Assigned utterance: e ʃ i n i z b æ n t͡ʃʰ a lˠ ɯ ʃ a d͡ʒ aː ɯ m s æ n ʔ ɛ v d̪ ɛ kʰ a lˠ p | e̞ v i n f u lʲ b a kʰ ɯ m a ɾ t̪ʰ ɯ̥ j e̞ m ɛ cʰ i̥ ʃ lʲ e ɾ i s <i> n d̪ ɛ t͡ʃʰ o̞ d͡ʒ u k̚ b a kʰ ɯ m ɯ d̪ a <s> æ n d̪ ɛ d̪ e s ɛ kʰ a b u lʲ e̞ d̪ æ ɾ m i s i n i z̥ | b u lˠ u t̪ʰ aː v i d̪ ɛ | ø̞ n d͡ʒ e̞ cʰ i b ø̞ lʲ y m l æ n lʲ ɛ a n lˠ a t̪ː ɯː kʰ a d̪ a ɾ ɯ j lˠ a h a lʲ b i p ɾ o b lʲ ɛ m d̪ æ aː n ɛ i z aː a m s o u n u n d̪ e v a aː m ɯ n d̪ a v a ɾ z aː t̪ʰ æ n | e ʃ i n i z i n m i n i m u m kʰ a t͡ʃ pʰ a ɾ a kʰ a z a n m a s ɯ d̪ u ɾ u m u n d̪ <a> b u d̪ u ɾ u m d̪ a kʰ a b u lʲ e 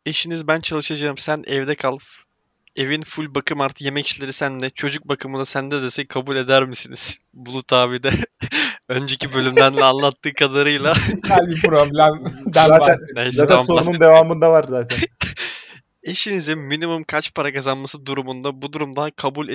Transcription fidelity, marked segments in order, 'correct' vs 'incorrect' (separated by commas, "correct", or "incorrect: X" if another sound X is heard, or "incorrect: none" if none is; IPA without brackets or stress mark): incorrect: æ, correct, correct